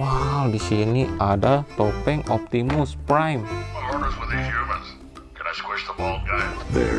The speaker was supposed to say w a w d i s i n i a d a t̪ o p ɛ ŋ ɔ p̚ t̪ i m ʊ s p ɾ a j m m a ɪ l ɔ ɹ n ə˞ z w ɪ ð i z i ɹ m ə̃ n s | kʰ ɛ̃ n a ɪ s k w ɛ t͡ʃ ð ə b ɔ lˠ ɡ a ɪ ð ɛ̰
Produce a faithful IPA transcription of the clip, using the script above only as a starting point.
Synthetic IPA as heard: w a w d i s i n i a d a t̪ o p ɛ ŋ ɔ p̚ t̪ i m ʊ s p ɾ a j m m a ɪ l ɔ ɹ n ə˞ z w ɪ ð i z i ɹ m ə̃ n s | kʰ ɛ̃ n a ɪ s k w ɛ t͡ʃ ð ə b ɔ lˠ ɡ a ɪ ð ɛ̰